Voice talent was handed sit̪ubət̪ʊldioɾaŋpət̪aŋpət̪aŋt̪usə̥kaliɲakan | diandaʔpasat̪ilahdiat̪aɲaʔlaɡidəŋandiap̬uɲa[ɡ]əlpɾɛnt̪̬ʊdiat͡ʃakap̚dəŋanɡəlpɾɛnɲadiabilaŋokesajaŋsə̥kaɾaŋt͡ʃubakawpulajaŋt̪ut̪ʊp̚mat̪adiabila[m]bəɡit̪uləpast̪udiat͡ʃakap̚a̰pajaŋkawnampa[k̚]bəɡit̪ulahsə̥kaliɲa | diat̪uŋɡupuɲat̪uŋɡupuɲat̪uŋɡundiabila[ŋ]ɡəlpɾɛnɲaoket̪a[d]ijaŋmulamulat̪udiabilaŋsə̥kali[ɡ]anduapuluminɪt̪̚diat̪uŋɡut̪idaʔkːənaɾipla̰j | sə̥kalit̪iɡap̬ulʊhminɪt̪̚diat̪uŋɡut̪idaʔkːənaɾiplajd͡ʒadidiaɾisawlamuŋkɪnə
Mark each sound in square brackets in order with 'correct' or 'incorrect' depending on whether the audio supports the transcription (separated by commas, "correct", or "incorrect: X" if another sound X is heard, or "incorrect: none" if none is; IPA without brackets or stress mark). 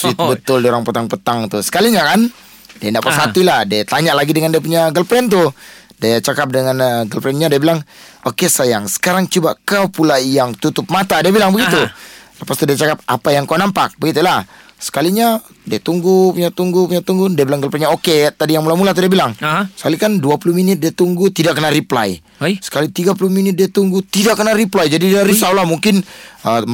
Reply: correct, incorrect: ŋ, correct, correct, correct, incorrect: k